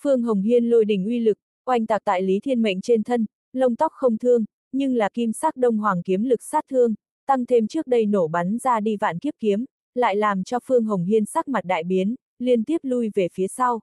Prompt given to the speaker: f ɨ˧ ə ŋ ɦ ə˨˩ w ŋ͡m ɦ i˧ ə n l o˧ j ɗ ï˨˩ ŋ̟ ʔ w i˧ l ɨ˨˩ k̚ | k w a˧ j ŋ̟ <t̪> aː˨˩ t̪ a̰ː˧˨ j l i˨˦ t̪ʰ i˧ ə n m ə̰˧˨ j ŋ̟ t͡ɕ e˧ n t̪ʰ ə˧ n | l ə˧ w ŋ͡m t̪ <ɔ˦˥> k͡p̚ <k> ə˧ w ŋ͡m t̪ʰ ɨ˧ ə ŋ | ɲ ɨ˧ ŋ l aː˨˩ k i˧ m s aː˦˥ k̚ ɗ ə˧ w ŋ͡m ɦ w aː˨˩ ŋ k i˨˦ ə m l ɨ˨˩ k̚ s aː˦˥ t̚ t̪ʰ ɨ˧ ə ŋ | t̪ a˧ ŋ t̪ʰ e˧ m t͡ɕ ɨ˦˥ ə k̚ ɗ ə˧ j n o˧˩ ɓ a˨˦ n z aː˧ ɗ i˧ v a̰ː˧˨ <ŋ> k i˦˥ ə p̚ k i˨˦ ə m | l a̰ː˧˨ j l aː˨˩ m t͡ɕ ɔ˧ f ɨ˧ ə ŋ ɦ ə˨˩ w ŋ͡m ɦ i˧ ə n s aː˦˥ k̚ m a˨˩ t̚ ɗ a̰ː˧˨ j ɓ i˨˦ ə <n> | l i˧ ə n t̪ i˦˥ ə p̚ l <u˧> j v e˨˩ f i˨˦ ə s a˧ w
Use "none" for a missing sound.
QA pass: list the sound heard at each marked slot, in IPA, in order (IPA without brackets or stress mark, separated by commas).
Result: t̪, ɔ˦˥, x, n, n, u˧